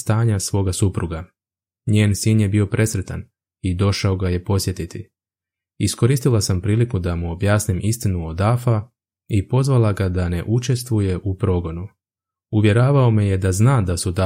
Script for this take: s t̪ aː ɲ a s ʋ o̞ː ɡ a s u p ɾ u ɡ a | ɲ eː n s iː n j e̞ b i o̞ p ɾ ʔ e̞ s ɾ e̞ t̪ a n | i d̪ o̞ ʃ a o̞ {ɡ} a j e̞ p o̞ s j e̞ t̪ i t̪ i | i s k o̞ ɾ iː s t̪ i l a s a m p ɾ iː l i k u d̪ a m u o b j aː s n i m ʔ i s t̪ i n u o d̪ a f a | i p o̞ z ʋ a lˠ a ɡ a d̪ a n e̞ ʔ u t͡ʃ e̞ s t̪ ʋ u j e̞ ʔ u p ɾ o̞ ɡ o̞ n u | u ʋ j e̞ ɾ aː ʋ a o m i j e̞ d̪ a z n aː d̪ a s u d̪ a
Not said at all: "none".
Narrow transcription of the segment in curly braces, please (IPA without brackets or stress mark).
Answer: ɡ